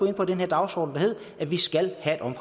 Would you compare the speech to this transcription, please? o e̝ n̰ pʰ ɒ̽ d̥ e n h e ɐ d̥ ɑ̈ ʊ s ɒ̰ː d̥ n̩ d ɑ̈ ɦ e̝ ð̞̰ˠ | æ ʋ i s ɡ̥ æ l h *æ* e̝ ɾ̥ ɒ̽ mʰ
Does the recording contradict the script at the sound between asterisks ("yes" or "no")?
no